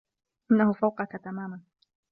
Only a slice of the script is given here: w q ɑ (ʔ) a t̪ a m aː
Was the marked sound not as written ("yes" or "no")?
yes